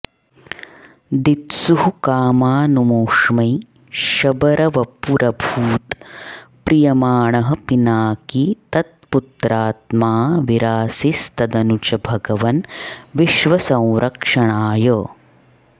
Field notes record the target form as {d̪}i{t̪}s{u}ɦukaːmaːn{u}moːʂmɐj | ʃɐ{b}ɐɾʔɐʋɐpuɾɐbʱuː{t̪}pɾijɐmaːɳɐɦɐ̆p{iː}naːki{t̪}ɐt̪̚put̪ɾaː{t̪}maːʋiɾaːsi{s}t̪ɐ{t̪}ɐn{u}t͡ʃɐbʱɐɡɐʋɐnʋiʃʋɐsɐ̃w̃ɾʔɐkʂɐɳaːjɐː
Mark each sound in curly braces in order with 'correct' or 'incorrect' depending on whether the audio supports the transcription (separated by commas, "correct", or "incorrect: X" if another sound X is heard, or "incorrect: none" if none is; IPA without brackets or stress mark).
correct, correct, correct, correct, correct, correct, incorrect: i, correct, correct, correct, incorrect: d̪, correct